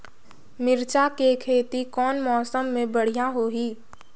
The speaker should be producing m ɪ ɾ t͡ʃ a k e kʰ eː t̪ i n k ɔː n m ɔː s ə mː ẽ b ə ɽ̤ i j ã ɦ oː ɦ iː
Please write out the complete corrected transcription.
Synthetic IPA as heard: m ɪ ɾ t͡ʃ a k e kʰ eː t̪ i k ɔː n m ɔː s ə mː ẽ b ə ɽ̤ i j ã ɦ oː ɦ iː